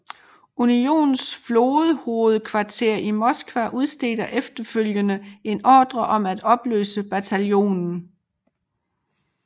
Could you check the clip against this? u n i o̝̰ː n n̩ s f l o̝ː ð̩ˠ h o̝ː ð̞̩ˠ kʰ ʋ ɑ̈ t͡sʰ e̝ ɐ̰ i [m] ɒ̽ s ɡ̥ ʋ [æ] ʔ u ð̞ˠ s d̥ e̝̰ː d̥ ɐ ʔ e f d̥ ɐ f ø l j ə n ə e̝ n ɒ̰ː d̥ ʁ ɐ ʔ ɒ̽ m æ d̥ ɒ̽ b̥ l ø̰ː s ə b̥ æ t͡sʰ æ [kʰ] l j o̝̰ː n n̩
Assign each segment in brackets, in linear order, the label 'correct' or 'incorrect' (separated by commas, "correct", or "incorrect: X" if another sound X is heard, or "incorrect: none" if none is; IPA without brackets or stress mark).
correct, correct, incorrect: none